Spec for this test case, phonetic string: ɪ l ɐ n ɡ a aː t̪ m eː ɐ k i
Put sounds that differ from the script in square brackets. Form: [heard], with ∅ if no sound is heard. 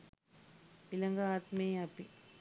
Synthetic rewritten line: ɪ l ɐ [ŋ] ɡ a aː t̪ m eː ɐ [p] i